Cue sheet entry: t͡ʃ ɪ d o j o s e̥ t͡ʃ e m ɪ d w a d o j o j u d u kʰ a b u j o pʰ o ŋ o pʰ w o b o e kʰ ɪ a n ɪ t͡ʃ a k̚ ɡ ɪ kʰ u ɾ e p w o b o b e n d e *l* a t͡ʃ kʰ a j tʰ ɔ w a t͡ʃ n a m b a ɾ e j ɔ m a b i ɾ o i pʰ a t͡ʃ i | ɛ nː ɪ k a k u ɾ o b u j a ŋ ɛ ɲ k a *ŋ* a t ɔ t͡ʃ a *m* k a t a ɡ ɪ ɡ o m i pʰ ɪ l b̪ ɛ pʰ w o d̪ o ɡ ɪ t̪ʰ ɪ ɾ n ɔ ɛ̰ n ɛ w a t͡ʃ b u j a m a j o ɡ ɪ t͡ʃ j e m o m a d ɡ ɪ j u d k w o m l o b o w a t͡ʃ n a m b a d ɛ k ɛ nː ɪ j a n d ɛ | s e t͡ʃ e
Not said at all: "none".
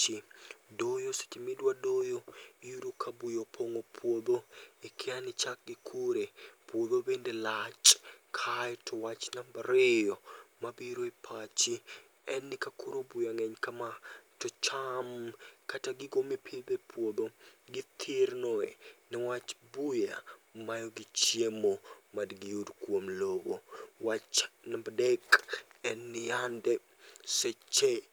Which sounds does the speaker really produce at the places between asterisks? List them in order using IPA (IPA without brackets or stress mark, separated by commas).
l, m, m